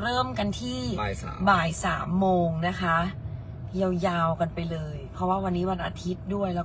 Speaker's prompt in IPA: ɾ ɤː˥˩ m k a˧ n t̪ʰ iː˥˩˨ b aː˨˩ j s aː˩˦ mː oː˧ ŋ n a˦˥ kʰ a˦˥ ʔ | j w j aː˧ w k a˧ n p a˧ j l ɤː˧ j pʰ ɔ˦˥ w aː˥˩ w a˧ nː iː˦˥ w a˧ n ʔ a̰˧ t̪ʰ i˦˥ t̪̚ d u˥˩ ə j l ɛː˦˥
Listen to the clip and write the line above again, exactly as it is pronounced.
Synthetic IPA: ɾ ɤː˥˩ m k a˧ n t̪ʰ iː˥˩˨ b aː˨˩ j s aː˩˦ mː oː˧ ŋ n a˦˥ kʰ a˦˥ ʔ | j w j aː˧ w k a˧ n p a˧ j l ɤː˧ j pʰ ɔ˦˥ w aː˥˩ w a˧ nː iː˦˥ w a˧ n ʔ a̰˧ t̪ʰ i˦˥ t̪̚ d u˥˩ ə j l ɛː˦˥